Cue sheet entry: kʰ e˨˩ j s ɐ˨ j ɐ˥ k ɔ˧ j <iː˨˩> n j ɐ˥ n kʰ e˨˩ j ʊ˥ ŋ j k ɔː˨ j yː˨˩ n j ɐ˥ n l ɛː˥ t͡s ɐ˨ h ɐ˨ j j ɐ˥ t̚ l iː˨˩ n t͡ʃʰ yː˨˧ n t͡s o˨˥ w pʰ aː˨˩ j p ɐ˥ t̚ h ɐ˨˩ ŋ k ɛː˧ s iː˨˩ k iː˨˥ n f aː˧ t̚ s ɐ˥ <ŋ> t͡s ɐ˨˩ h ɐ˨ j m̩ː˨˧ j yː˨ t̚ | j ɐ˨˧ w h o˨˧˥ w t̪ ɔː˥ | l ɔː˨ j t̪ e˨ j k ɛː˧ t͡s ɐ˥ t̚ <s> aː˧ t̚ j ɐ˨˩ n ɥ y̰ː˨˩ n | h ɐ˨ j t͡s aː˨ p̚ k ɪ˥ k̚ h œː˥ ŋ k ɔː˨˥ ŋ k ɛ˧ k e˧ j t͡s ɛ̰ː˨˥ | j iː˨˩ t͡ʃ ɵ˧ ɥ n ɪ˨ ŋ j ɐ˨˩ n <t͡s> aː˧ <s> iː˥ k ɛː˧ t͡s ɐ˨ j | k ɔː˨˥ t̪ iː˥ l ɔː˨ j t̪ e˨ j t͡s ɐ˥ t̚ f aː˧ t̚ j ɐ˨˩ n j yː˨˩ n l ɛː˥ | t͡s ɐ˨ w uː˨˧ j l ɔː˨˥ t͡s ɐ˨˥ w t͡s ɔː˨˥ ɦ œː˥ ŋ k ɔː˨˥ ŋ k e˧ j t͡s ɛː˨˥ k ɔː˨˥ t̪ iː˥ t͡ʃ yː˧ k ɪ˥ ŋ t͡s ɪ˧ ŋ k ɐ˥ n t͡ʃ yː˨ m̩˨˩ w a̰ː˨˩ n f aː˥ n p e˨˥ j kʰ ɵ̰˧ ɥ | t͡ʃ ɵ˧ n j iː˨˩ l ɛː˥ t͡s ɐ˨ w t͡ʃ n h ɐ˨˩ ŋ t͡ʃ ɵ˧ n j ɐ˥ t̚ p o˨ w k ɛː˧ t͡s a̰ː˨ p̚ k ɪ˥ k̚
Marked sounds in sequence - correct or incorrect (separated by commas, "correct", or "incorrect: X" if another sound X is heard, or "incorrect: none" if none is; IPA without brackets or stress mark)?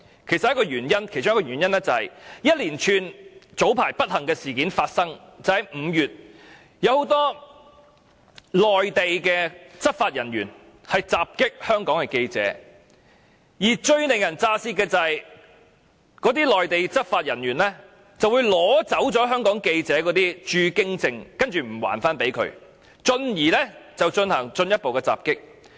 incorrect: yː˨˩, correct, incorrect: f, correct, correct